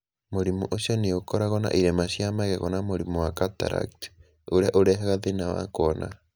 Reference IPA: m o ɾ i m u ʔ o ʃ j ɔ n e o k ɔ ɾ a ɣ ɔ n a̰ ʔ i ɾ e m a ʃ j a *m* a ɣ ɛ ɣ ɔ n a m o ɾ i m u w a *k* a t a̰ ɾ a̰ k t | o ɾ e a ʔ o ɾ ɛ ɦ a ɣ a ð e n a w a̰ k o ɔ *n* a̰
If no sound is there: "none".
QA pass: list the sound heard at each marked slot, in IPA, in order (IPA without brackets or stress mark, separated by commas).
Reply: m, k, n